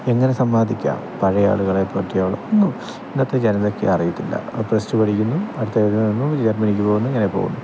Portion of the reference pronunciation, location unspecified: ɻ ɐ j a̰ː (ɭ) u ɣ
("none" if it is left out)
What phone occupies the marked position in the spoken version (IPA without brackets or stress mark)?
ɭ